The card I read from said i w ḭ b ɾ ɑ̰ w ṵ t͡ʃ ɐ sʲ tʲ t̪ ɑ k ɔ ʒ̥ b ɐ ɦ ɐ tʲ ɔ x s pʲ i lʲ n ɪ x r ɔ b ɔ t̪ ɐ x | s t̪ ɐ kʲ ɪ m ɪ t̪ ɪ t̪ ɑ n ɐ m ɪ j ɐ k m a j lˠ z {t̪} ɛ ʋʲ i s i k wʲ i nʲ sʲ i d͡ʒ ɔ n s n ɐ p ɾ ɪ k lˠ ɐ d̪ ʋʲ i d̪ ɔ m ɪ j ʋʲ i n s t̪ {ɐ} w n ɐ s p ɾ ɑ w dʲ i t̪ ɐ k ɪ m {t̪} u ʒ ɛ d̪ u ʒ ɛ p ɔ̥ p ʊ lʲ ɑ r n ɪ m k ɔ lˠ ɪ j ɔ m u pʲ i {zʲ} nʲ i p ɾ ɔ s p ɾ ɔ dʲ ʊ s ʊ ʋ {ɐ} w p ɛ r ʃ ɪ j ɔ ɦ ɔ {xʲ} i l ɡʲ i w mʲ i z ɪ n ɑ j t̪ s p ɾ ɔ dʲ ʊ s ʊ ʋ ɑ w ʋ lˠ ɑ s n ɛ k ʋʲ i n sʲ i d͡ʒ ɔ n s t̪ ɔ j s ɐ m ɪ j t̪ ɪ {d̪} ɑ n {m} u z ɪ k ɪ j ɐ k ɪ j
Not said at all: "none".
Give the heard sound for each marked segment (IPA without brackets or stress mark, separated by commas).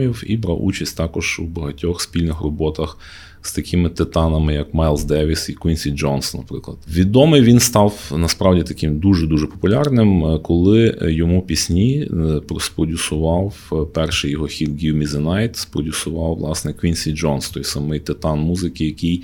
d̪, ɑ, d̪, sʲ, ɑ, xʲ, t̪, m